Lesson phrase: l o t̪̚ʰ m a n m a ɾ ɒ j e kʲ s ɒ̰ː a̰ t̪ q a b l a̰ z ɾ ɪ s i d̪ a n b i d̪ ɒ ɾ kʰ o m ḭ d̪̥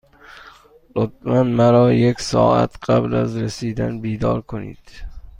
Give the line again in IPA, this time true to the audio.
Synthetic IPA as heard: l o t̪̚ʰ m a n m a ɾ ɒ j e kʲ s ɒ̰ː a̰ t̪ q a b l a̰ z ɾ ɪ s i d̪ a n b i d̪ ɒ ɾ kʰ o n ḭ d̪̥

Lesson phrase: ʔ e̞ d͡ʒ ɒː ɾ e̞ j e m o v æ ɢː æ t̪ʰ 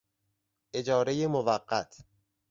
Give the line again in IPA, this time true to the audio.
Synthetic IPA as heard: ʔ e̞ d͡ʒ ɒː ɾ e̞ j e m o v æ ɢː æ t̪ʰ

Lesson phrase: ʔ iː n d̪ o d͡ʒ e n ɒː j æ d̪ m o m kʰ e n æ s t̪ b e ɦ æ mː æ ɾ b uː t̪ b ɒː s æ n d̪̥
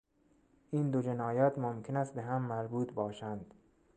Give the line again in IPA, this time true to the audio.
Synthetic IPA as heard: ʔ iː n d̪ o d͡ʒ e n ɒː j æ t̪ m o m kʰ e n æ s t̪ b e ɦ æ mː æ ɾ b uː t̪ b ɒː ʃ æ n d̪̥

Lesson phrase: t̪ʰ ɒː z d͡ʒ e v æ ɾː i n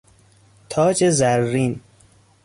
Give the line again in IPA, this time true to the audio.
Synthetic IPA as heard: t̪ʰ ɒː d͡ʒ e z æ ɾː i n

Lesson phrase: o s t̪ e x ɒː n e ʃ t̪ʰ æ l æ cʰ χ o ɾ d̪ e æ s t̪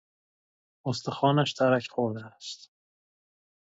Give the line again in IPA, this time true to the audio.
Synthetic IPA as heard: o s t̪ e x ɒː n æ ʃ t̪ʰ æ ɾ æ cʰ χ o ɾ d̪ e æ s t̪

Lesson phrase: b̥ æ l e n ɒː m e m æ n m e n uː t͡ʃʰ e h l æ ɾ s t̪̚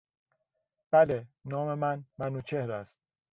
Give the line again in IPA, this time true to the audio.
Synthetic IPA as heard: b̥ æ l e n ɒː m e m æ n m æ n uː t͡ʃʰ e h ɾ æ s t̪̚

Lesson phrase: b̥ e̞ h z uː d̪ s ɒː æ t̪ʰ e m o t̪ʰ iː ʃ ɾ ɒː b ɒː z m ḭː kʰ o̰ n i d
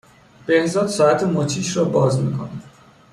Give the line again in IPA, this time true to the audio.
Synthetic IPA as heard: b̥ e̞ h z ɒː d̪ s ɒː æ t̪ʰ e m o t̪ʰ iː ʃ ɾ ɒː b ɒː z m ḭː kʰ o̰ n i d

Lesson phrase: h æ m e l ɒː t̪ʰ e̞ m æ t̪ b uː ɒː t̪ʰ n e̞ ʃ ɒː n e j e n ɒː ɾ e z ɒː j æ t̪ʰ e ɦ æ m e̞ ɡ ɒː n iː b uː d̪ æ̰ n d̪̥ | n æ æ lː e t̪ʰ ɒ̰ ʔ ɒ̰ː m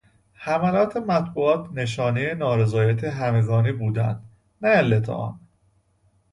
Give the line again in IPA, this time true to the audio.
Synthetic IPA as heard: h æ m æ l ɒː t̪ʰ e̞ m æ t̪ b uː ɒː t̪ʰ n e̞ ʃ ɒː n e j e n ɒː ɾ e z ɒː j æ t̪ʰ e ɦ æ m e̞ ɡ ɒː n iː b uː d̪ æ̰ n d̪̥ | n æ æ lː e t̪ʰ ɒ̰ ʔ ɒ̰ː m

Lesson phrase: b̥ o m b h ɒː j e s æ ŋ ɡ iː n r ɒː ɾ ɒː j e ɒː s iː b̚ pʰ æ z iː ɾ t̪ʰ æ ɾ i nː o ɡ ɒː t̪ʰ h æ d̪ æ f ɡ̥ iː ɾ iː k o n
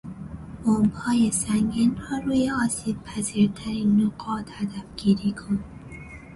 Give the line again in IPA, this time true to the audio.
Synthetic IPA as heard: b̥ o m b h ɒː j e s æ ŋ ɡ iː n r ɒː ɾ uː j e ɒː s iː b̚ pʰ æ z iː ɾ t̪ʰ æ ɾ i nː o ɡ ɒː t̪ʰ h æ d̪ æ f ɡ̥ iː ɾ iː kʰ o n

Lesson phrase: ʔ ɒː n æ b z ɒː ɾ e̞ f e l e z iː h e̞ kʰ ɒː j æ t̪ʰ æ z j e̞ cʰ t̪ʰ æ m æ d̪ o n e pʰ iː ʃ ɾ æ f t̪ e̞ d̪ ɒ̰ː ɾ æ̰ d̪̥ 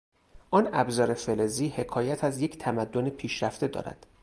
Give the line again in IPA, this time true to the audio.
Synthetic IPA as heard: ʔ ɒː n æ b z ɒː ɾ e̞ f e l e z iː h e̞ kʰ ɒː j æ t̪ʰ æ z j e̞ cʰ t̪ʰ æ m æ d̪ː o n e pʰ iː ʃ ɾ æ f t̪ e̞ d̪ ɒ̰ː ɾ æ̰ d̪̥

